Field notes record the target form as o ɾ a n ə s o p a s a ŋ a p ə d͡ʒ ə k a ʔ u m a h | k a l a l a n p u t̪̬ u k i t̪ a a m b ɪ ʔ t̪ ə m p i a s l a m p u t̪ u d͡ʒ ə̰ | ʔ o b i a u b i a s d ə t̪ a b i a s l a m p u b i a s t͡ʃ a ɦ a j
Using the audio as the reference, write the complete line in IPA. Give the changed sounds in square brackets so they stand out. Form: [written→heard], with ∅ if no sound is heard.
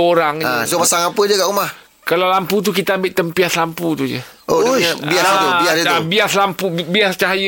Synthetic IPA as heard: o ɾ a [n→ŋ] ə s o p a s a ŋ a p ə d͡ʒ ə k a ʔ u m a h | k a l a l a [n→m] p u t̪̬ u k i t̪ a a m b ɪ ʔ t̪ ə m p i a s l a m p u t̪ u d͡ʒ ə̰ | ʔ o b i a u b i a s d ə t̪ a b i a s l a m p u b i a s t͡ʃ a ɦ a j